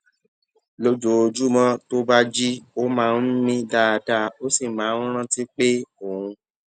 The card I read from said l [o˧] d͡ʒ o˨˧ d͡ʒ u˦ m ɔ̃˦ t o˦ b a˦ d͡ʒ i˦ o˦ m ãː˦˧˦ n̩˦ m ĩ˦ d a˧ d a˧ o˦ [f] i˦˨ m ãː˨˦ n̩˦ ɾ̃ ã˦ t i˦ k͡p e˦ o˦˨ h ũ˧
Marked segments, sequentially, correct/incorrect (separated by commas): correct, incorrect